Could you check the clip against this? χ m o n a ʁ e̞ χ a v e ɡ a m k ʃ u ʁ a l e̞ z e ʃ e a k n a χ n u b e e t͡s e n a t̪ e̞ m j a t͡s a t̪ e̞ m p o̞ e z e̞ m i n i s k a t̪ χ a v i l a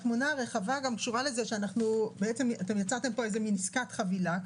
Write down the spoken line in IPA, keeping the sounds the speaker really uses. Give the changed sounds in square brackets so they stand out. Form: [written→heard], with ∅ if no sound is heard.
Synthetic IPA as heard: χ m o n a ʁ e̞ χ a v [e→a] ɡ a m k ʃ u ʁ a l e̞ z e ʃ e a [k→∅] n a χ n u b e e t͡s e [n→m] a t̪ e̞ m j a t͡s a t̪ e̞ m p o̞ e z e̞ m i n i s k a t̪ χ a v i l a